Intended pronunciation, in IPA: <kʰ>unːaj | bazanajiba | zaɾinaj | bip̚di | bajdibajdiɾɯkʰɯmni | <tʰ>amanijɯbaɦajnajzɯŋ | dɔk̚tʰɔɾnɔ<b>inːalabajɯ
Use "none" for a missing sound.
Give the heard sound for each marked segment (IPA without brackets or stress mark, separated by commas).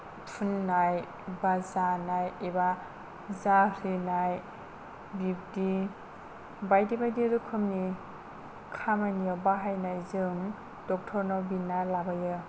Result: pʰ, kʰ, b